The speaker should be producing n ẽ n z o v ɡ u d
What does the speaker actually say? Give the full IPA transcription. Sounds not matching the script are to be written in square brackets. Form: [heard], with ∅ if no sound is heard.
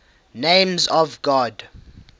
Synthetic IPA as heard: n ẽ [m] z [ɔ] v ɡ [ɔ] d

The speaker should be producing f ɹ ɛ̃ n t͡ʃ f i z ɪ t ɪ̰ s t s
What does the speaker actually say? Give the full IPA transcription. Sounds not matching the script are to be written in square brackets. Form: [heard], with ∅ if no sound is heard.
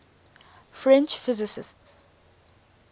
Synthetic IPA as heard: f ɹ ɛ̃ n t͡ʃ f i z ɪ [s] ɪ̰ s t s

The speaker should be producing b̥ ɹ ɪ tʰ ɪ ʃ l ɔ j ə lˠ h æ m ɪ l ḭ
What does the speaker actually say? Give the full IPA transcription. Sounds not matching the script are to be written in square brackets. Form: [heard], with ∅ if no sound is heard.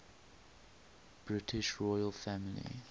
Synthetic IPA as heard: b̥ ɹ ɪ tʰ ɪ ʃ [ɹ] ɔ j ə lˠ [f] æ m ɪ l ḭ

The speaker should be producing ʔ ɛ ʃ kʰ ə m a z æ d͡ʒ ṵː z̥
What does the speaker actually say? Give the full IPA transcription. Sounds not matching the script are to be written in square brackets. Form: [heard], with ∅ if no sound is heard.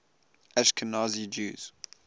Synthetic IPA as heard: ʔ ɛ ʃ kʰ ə [n] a z [i] d͡ʒ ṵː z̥

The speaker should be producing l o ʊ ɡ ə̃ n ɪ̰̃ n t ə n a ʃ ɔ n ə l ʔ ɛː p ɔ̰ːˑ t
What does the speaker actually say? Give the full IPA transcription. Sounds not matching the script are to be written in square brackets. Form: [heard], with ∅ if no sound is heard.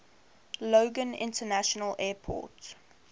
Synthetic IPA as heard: l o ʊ ɡ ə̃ n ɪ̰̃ n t ə n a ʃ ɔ n ə l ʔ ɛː [pʰ] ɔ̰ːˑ t

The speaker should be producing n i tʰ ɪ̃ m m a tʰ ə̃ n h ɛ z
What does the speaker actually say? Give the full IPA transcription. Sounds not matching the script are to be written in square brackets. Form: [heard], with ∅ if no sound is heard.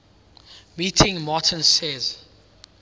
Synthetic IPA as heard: [m] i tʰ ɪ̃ [ŋ] m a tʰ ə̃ n [s] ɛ z

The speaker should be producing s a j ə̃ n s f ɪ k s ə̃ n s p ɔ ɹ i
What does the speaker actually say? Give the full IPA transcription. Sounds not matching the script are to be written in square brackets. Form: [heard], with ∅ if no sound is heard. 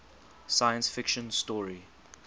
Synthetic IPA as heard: s a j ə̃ n s f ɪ k [ʃ] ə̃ n s [t] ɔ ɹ i

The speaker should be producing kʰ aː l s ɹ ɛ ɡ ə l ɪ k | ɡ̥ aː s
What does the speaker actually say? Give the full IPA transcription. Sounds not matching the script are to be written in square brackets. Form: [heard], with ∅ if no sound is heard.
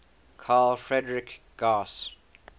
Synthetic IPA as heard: kʰ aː l [f] ɹ ɛ [d] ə [ɹ] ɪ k | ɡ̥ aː s

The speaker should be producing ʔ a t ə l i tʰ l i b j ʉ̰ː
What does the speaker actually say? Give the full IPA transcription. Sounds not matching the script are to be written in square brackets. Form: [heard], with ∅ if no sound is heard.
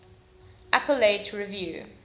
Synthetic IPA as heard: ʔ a [p] ə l [e] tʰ [ɹ] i [v] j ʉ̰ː

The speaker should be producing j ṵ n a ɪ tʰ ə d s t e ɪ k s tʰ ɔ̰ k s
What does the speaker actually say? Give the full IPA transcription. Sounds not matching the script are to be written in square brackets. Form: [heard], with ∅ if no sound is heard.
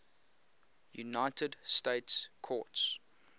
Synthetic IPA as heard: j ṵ n a ɪ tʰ ə d s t e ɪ [t] s [kʰ] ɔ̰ [t] s

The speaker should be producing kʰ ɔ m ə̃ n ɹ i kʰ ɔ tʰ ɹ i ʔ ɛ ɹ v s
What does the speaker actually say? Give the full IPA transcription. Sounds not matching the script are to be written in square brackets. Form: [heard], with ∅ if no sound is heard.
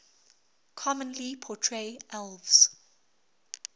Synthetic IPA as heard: kʰ ɔ m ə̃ n [l] i [pʰ] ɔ tʰ ɹ [e] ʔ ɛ [l] v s

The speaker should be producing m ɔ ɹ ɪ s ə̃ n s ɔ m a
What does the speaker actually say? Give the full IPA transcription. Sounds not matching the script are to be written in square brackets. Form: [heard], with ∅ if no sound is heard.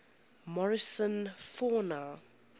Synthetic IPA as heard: m ɔ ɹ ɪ s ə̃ n [f] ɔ [n] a

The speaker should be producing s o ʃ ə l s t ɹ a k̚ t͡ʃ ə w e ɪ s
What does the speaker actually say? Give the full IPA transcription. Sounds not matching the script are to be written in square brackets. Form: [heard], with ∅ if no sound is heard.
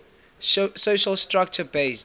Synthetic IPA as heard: s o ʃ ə l s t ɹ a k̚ t͡ʃ ə [b] e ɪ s

